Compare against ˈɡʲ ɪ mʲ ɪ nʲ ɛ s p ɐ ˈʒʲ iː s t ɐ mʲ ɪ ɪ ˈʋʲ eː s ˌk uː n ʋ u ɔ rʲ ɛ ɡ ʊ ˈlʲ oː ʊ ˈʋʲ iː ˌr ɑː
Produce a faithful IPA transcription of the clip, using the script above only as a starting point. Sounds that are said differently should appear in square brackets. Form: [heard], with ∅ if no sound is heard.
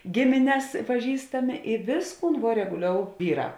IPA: ˈɡʲ ɪ mʲ ɪ nʲ ɛ s p ɐ ˈʒʲ iː s t ɐ mʲ ɪ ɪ ˈʋʲ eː s ˌk uː n ʋ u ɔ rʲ ɛ ɡ ʊ ˈlʲ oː ʊ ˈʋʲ iː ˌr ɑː